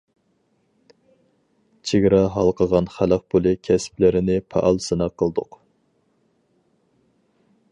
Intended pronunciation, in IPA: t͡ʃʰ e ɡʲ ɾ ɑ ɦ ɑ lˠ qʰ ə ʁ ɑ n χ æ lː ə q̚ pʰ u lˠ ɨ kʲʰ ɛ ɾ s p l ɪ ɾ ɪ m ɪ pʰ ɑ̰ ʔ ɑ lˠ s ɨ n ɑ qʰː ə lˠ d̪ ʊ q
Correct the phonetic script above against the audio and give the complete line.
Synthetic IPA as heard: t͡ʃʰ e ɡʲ ɾ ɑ ɦ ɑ lˠ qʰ ə ʁ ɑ n χ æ l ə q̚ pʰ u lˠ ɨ kʲʰ ɛ s p l ɪ ɾ ɪ n ɪ pʰ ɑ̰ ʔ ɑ lˠ s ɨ n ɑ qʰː ə lˠ d̪ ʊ q